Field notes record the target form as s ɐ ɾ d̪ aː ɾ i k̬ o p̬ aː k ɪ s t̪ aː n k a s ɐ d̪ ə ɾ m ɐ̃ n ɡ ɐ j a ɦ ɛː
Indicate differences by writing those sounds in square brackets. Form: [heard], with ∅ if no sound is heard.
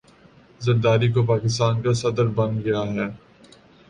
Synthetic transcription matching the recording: [z] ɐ ɾ d̪ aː ɾ i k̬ o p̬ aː k ɪ s t̪ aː n k a s ɐ d̪ ə ɾ [b] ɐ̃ n ɡ ɐ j a ɦ ɛː